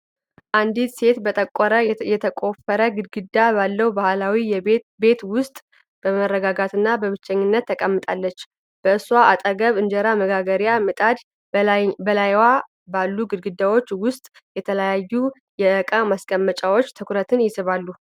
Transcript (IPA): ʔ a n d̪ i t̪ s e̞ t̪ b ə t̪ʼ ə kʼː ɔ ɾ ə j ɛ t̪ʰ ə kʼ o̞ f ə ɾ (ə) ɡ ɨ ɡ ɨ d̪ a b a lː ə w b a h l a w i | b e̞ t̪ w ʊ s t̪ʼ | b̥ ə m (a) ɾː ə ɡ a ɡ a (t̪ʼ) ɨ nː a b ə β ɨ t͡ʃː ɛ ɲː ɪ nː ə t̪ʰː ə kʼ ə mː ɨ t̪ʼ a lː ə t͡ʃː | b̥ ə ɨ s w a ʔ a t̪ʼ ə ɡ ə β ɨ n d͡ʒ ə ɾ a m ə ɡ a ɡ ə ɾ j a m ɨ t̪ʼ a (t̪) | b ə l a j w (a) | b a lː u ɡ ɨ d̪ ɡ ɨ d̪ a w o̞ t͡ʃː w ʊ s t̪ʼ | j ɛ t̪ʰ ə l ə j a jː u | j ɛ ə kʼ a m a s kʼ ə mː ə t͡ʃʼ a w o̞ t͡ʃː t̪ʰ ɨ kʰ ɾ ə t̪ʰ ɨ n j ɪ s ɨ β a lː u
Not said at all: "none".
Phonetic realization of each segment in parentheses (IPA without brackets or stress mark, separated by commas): ə, ə, t̪, d̪, a